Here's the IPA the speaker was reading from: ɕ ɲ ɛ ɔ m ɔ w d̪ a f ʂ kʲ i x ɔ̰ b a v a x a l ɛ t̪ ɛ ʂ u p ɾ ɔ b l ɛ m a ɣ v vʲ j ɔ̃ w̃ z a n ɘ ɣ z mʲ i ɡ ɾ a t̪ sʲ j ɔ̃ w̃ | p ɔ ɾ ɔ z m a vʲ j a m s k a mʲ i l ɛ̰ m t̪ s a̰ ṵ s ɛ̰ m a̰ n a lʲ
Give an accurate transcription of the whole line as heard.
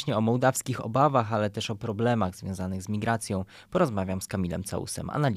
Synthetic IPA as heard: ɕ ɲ ɛ ɔ m ɔ w d̪ a f s kʲ i x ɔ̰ b a v a x a l ɛ t̪ ɛ ʂ ɔ p ɾ ɔ b l ɛ m a ɣ z vʲ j ɔ̃ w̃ z a n ɘ ɣ z mʲ i ɡ ɾ a t̪ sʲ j ɔ̃ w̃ | p ɔ ɾ ɔ z m a vʲ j a m s k a mʲ i l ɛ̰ m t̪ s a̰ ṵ s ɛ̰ m a̰ n a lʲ